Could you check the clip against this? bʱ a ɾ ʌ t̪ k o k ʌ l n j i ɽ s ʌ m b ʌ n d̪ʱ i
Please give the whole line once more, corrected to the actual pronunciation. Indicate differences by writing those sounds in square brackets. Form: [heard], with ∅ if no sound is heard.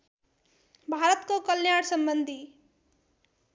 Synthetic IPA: bʱ a ɾ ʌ t̪ k o k ʌ l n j [a] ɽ s ʌ m b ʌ n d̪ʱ i